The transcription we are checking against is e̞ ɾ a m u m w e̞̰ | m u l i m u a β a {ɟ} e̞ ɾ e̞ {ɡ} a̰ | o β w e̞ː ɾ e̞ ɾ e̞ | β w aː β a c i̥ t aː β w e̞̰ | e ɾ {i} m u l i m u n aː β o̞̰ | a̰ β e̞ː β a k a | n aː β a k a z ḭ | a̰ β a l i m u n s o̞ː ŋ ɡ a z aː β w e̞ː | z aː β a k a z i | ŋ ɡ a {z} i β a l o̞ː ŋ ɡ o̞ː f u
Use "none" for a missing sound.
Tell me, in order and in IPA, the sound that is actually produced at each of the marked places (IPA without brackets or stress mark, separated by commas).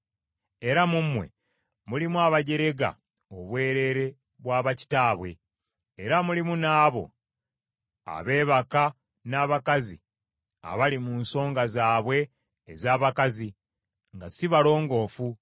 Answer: ɟ, ɡ, a, s